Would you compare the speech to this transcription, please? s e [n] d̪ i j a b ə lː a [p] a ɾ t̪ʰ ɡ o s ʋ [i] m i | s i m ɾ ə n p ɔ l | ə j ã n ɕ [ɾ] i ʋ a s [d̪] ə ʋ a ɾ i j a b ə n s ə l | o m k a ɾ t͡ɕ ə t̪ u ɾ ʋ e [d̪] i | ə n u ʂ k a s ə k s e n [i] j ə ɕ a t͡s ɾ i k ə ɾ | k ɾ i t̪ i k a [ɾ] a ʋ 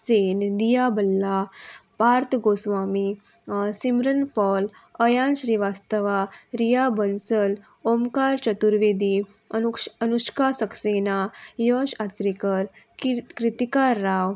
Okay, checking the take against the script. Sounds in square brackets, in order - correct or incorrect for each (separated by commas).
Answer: correct, correct, incorrect, correct, incorrect, correct, incorrect, incorrect